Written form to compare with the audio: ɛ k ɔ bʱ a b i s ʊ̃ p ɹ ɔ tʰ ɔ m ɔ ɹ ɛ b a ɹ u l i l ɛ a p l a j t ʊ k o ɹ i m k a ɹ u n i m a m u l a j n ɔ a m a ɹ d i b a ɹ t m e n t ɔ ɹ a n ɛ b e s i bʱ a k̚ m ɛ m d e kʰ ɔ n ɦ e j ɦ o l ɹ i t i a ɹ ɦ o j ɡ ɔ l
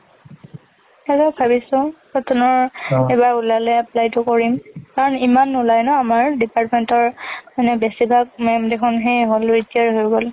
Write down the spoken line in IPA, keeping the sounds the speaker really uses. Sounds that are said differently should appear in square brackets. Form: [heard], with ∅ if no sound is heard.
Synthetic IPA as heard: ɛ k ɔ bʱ a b i s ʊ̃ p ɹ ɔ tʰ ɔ [n] ɔ ɹ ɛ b a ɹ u l [a] l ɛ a p l a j t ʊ k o ɹ i m k a ɹ [ɔ] n i m a [n] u l a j n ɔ a m a ɹ d i [p] a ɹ t m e n t ɔ ɹ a n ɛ b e s i bʱ a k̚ m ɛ m d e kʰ ɔ n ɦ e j ɦ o l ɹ i t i a ɹ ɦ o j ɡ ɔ l